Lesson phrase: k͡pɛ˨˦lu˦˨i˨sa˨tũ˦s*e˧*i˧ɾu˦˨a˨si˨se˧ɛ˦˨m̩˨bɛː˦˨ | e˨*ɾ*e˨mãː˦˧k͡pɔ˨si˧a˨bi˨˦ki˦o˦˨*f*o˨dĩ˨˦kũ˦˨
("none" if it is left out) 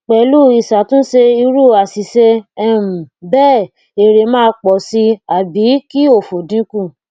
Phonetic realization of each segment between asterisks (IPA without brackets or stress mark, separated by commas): e˧, ɾ, f